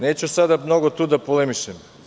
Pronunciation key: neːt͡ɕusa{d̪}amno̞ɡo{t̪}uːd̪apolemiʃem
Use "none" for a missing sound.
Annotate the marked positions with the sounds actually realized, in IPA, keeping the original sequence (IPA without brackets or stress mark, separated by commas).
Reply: d̪, t̪